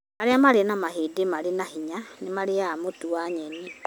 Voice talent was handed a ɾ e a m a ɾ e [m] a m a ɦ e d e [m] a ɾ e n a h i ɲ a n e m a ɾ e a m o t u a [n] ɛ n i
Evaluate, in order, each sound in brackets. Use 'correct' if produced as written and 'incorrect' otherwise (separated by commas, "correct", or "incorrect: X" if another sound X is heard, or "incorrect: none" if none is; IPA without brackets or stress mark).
incorrect: n, correct, incorrect: ɲ